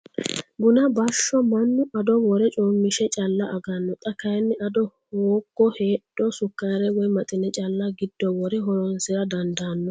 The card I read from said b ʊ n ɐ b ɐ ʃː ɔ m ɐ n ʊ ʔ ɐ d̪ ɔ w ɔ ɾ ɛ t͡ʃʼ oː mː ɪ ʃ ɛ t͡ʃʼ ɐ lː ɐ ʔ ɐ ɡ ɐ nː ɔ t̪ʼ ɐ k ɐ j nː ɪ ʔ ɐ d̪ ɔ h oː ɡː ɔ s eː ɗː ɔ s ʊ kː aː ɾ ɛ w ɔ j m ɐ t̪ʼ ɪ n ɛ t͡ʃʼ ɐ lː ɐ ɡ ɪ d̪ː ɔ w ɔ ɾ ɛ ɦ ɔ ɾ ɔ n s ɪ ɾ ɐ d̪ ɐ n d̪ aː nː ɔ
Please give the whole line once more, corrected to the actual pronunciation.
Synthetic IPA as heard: b ʊ n ɐ b ɐ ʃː ɔ m ɐ nː ʊ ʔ ɐ d̪ ɔ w ɔ ɾ ɛ t͡ʃʼ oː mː ɪ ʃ ɛ t͡ʃʼ ɐ lː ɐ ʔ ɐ ɡ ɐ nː ɔ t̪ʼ ɐ k ɐ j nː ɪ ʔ ɐ d̪ ɔ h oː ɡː ɔ h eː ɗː ɔ s ʊ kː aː ɾ ɛ w ɔ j m ɐ t̪ʼ ɪ n ɛ t͡ʃʼ ɐ lː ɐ ɡ ɪ d̪ː ɔ w ɔ ɾ ɛ ɦ ɔ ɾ ɔ n s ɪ ɾ ɐ d̪ ɐ n d̪ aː nː ɔ